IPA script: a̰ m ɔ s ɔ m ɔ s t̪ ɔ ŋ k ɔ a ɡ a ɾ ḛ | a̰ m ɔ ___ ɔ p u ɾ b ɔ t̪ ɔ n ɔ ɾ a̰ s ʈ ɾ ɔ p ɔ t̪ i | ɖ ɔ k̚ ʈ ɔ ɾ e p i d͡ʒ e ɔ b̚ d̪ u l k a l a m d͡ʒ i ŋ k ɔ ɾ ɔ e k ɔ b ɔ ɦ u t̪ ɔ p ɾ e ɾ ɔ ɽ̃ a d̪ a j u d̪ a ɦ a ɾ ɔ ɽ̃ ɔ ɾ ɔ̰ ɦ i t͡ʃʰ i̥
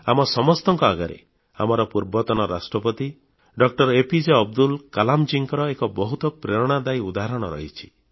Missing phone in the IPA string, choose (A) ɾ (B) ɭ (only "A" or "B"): A